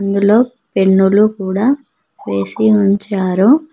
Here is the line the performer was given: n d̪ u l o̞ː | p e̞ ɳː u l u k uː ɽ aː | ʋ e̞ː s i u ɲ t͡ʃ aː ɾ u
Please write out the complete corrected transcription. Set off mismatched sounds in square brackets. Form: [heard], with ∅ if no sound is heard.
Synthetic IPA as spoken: n d̪ u l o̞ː | p e̞ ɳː u l u k uː ɽ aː | ʋ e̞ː s i u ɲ t͡ʃ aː ɾ u